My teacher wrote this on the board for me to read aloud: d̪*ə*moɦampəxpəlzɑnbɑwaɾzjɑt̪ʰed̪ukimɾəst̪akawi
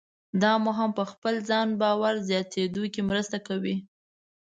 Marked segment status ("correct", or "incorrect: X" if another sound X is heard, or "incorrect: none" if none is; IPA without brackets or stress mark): incorrect: ɑ